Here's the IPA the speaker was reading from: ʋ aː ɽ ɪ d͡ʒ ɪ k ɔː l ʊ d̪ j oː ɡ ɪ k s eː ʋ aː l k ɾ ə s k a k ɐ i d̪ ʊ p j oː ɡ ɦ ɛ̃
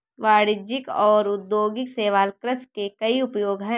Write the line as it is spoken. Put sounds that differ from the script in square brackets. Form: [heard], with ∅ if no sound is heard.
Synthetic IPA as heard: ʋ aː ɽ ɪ d͡ʒ ɪ k ɔː [ɾ] ʊ d̪ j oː ɡ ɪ k s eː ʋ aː l k ɾ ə s k [e] k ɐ i [∅] ʊ p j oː ɡ ɦ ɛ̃